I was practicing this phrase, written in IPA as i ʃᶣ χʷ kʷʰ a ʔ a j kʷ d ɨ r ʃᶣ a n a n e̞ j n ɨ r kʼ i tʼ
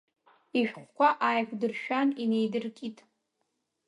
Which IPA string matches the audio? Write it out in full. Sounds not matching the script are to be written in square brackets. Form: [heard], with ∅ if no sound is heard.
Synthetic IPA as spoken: i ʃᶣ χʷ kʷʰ a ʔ a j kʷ d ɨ r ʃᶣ a n [i] n e̞ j [d] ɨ r kʼ i tʼ